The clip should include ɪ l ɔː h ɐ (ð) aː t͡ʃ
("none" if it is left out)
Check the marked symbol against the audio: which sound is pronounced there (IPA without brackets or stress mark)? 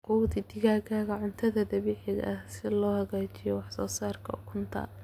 ɣ